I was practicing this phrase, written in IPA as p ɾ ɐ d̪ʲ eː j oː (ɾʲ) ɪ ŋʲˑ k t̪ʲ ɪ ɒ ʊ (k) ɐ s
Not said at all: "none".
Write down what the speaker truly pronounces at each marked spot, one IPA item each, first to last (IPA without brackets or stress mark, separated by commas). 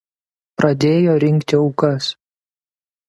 ɾʲ, k